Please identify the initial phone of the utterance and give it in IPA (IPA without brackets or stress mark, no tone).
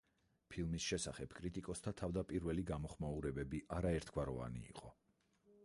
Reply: pʰ